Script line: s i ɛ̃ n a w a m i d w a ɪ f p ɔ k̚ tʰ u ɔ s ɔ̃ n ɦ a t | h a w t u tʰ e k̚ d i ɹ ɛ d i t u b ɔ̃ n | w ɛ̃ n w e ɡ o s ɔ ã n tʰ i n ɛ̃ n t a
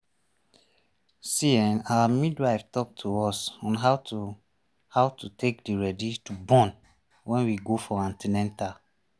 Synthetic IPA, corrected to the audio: s i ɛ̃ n a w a m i d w a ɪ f t ɔ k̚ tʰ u ɔ s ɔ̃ n ɦ a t | h a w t u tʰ e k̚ d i ɹ ɛ d i t u b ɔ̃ n | w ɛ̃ n w i ɡ o f ɔ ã n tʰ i n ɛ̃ n t a